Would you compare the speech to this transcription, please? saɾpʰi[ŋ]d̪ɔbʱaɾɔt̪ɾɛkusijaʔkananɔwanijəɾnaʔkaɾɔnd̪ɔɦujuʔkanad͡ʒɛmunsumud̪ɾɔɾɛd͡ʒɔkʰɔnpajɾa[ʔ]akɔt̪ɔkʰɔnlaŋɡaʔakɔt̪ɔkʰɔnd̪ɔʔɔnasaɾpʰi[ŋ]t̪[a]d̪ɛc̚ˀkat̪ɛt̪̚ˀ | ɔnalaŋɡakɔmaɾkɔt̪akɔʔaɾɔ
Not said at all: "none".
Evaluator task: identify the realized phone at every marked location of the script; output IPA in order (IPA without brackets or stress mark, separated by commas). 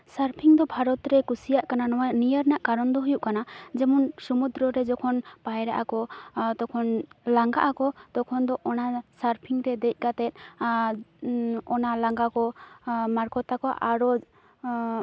ŋ, ʔ, ŋ, ɛ